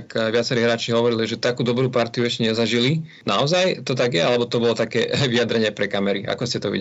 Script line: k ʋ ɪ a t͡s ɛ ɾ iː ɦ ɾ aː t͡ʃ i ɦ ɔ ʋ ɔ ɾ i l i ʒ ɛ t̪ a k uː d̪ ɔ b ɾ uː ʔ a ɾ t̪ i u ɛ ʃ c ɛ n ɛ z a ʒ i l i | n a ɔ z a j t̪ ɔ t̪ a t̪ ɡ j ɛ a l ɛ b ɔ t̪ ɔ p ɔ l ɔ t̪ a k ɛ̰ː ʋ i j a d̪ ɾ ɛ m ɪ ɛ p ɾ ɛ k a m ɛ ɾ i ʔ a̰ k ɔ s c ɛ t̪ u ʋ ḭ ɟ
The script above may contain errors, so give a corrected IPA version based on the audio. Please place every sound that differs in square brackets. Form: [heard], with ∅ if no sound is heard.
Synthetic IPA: k ʋ ɪ a t͡s ɛ ɾ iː ɦ ɾ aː t͡ʃ i ɦ ɔ ʋ ɔ ɾ i l i ʒ ɛ t̪ a k uː d̪ ɔ b ɾ uː [p] a ɾ t̪ i u ɛ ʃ c ɛ [ɲ] ɛ z a ʒ i l i | n a ɔ z a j t̪ ɔ t̪ a [∅] ɡ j ɛ a l ɛ b ɔ t̪ ɔ [b] ɔ l ɔ t̪ a k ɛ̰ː ʋ i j a d̪ ɾ ɛ [ɲ] ɪ ɛ p ɾ ɛ k a m ɛ ɾ i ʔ a̰ k ɔ s c ɛ t̪ [ɔ] ʋ ḭ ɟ